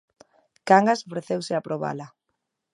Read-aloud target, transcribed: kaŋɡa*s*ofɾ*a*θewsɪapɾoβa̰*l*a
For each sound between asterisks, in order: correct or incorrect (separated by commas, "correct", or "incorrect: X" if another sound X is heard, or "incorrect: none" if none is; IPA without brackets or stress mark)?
correct, incorrect: e, correct